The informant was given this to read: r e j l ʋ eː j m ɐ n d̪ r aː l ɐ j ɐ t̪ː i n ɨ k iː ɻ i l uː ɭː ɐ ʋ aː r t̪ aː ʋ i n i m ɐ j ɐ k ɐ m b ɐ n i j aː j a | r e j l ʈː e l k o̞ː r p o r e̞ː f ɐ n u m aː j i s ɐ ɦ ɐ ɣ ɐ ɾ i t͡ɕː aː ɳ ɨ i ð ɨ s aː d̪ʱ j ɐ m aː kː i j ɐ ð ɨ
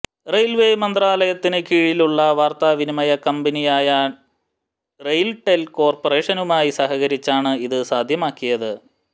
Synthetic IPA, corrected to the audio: r e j l ʋ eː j m ɐ n d̪ r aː l ɐ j ɐ t̪ː i n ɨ k iː ɻ i l u ɭː ɐ ʋ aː r t̪ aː ʋ i n i m ɐ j ɐ k ɐ m b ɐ n i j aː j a | r e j l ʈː e l k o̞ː r p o r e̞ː ʂ ɐ n u m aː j i s ɐ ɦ ɐ ɣ ɐ ɾ i t͡ɕː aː ɳ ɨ i ð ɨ s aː d̪ʱ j ɐ m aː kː i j ɐ ð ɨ